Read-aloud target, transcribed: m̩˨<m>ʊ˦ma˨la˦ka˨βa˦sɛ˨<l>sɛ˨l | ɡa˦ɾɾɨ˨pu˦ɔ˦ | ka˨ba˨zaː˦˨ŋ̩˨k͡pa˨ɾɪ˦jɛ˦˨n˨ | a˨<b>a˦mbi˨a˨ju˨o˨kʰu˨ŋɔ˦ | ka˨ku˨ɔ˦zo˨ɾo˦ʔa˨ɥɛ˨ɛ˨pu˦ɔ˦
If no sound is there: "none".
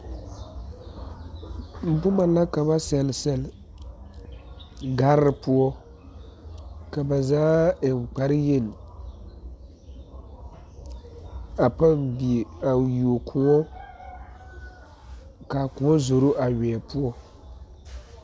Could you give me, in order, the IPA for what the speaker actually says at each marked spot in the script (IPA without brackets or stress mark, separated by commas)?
b, l, p